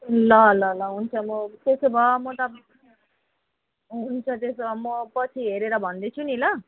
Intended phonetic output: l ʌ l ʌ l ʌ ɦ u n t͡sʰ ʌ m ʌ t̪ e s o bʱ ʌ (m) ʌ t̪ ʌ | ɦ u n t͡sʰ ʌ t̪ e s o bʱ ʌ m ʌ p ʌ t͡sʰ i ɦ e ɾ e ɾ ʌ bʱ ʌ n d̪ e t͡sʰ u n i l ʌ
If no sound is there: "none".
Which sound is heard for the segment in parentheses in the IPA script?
m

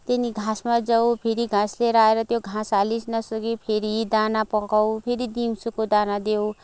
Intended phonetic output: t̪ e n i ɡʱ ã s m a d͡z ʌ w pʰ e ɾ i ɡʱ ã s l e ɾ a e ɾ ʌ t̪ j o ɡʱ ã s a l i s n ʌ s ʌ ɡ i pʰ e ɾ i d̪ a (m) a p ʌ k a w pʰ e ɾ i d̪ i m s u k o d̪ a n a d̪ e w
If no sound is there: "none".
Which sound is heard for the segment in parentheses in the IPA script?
n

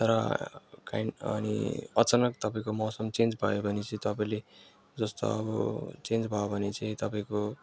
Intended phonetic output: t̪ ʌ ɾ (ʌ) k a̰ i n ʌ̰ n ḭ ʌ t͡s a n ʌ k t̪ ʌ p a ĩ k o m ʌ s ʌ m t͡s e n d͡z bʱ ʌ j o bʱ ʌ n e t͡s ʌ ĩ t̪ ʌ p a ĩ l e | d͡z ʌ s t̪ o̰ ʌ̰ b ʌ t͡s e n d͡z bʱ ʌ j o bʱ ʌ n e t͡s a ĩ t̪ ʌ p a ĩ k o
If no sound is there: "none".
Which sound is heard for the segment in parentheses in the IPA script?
ʌ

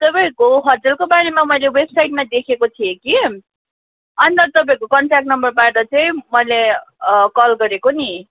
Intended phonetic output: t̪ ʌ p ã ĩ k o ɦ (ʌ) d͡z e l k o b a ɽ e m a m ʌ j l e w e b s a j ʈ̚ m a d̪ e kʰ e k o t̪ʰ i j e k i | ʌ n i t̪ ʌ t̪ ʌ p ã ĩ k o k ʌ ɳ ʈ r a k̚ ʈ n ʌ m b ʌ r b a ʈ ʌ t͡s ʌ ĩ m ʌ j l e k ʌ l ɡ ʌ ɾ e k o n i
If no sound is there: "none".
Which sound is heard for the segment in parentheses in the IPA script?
ʌ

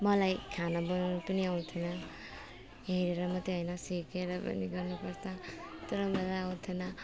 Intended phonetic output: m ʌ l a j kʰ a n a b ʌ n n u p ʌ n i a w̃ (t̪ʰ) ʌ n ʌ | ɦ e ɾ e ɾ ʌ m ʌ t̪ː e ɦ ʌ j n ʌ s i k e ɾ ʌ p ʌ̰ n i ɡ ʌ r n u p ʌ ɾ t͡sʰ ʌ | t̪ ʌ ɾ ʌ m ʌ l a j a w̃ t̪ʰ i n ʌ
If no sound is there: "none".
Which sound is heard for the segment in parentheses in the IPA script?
t̪ʰ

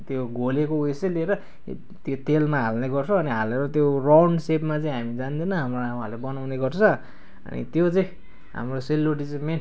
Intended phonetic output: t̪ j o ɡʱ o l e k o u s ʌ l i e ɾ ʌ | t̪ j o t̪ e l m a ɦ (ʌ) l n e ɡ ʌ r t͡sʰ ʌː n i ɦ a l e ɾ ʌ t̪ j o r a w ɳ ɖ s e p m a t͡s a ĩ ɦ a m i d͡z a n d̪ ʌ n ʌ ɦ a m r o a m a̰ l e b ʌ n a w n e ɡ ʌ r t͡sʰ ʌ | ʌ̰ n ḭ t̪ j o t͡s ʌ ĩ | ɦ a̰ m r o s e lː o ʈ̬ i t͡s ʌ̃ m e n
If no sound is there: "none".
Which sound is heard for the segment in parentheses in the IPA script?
a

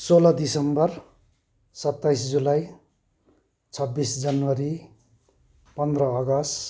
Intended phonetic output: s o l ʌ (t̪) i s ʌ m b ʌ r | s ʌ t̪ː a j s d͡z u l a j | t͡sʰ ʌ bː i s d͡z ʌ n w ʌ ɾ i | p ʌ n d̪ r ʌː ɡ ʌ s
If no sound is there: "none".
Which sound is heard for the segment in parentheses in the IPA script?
d̪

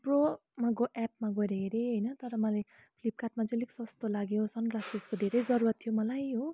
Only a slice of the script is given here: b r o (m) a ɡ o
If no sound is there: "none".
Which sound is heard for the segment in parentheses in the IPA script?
m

